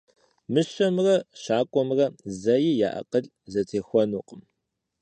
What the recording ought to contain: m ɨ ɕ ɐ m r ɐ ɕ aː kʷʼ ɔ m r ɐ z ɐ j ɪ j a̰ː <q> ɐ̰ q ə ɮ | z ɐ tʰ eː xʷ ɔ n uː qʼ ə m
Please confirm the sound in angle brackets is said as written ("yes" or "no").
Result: no